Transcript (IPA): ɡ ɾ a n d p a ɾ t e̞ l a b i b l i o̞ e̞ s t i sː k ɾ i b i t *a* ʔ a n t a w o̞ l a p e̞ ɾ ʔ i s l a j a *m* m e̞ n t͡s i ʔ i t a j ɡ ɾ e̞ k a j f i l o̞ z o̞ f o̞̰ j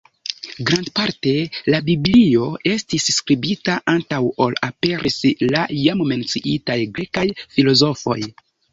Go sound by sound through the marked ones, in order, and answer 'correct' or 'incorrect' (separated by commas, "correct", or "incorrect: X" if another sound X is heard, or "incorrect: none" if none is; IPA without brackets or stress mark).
correct, correct